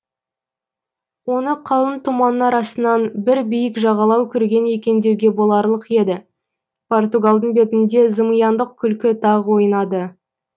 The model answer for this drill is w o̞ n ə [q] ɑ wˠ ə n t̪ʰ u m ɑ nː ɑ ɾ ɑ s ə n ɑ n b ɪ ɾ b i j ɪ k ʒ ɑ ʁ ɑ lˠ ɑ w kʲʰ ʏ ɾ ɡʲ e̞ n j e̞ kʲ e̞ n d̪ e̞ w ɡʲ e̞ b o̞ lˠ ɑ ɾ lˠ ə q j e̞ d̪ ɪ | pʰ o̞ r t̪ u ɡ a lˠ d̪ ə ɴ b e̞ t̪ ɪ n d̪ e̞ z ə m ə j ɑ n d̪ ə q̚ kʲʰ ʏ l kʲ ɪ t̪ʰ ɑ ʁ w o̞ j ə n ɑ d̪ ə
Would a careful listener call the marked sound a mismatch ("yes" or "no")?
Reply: yes